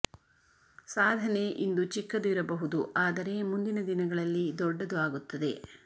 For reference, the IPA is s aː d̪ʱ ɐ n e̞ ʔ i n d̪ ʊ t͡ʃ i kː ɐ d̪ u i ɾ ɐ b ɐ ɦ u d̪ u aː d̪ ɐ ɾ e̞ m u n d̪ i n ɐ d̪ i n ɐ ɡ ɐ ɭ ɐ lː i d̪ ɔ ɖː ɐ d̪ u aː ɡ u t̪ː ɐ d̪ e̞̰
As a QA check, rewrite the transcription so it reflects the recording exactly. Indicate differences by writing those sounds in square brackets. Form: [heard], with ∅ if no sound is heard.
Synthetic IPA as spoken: s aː d̪ʱ ɐ n e̞ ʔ i n d̪ [u] t͡ʃ i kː ɐ d̪ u i ɾ ɐ b ɐ ɦ u d̪ u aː d̪ ɐ ɾ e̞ m u n d̪ i n ɐ d̪ i n ɐ ɡ ɐ ɭ ɐ lː i d̪ ɔ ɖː ɐ d̪ u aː ɡ u t̪ː ɐ d̪ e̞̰